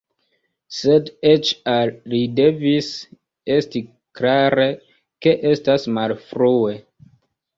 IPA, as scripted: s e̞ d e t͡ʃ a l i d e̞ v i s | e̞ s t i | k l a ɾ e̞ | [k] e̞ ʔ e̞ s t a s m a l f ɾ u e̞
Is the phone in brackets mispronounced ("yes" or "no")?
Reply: no